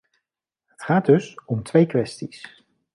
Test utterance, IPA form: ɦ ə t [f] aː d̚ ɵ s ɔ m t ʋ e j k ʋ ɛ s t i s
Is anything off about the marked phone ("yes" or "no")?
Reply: yes